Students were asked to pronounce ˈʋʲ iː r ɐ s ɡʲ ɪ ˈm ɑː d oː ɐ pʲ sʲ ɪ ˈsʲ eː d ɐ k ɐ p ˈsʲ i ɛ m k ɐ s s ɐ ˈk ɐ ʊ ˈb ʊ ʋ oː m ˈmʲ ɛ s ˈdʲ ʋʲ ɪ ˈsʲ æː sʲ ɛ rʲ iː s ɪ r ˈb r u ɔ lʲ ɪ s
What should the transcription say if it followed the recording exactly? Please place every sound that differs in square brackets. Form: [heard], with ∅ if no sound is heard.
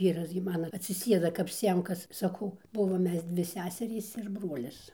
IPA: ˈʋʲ iː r ɐ s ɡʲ ɪ ˈm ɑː [n] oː ɐ [tʲ] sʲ ɪ ˈsʲ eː d ɐ k ɐ p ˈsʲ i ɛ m k ɐ s s ɐ ˈk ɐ ʊ ˈb ʊ ʋ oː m ˈmʲ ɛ s ˈdʲ ʋʲ ɪ ˈsʲ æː sʲ ɛ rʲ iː s ɪ r ˈb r u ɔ lʲ ɪ s

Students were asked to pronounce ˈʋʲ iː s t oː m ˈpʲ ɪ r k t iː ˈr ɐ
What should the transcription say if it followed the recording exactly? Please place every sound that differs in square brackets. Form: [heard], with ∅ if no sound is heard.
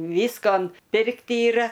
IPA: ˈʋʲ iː s [k] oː [n] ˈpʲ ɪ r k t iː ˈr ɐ

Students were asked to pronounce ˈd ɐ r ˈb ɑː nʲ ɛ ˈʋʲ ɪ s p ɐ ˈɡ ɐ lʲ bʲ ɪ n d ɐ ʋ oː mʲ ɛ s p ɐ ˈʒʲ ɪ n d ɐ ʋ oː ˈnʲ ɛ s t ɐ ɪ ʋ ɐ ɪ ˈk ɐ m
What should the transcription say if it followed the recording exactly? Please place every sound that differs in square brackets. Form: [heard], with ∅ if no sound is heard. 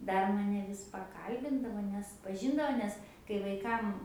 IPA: ˈd ɐ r [ˈm] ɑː nʲ ɛ ˈʋʲ ɪ s p ɐ [ˈk] ɐ lʲ bʲ ɪ n d ɐ ʋ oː [nʲ] ɛ s p ɐ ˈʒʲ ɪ n d ɐ ʋ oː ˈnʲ ɛ s [k] ɐ ɪ ʋ ɐ ɪ ˈk ɐ m

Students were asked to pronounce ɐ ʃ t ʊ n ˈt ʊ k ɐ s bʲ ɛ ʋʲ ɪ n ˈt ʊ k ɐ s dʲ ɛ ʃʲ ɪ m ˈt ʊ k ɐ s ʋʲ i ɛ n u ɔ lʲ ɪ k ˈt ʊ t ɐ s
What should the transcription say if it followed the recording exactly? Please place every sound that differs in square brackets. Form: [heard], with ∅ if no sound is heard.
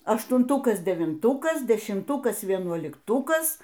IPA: ɐ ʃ t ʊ n ˈt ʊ k ɐ s [dʲ] ɛ ʋʲ ɪ n ˈt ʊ k ɐ s dʲ ɛ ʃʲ ɪ m ˈt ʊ k ɐ s ʋʲ i ɛ n u ɔ lʲ ɪ k ˈt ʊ [k] ɐ s

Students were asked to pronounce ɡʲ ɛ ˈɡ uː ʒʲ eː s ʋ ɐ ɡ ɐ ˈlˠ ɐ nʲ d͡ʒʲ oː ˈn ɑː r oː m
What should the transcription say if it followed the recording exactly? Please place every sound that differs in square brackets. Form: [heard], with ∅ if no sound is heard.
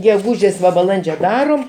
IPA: ɡʲ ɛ ˈɡ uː ʒʲ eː s ʋ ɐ [b] ɐ ˈlˠ ɐ nʲ d͡ʒʲ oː [ˈd] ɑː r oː m

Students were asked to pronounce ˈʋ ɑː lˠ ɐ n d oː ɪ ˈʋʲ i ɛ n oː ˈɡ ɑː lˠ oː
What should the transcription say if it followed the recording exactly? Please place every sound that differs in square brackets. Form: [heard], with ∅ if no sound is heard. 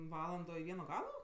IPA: ˈʋ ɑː lˠ ɐ n d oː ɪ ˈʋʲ i ɛ n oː ˈɡ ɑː lˠ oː

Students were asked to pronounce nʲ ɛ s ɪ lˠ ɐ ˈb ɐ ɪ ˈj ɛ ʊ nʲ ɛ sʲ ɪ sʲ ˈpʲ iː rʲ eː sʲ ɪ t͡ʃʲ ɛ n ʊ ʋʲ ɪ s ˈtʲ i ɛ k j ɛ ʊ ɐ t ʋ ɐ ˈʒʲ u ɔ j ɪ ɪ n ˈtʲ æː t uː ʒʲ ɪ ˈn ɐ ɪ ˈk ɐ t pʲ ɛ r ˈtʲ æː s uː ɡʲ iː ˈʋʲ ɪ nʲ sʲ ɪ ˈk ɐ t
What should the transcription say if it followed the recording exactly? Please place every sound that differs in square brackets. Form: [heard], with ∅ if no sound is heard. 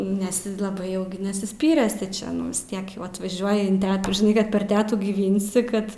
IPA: nʲ ɛ s ɪ lˠ ɐ ˈb ɐ ɪ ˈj ɛ ʊ nʲ ɛ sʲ ɪ sʲ ˈpʲ iː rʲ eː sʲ ɪ t͡ʃʲ ɛ n ʊ ʋʲ ɪ s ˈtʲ i ɛ k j ɛ ʊ ɐ t ʋ ɐ ˈʒʲ u ɔ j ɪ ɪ n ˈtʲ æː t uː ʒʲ ɪ ˈn ɐ ɪ ˈk ɐ t pʲ ɛ r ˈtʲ æː [t] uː ɡʲ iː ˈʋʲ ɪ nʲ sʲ ɪ ˈk ɐ t

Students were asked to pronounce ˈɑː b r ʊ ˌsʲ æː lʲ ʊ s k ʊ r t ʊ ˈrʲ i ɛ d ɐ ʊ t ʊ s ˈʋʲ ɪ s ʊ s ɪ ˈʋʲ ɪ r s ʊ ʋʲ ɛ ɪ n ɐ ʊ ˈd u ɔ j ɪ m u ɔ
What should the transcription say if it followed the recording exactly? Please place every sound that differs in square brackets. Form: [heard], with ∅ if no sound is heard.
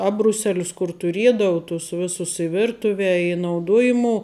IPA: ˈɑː b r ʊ ˌsʲ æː lʲ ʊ s k ʊ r t ʊ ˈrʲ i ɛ d ɐ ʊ t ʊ s ˈʋʲ ɪ s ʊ s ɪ ˈʋʲ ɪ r [t] ʊ ʋʲ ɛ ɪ n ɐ ʊ ˈd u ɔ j ɪ m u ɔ

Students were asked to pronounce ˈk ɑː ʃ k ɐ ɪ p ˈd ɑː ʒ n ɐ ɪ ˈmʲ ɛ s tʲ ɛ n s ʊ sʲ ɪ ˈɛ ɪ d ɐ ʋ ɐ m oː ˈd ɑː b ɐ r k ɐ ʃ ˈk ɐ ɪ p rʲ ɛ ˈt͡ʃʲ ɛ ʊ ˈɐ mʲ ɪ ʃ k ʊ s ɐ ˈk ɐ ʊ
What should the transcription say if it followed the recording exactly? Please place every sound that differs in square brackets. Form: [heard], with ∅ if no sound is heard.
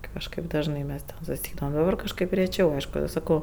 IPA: ˈk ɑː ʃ k ɐ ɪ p ˈd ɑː ʒ n ɐ ɪ ˈmʲ ɛ s tʲ ɛ n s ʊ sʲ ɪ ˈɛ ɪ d ɐ ʋ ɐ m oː ˈd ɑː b ɐ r k ɐ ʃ ˈk ɐ ɪ p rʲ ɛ ˈt͡ʃʲ ɛ ʊ ˈɐ [∅] ɪ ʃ k ʊ s ɐ ˈk ɐ ʊ

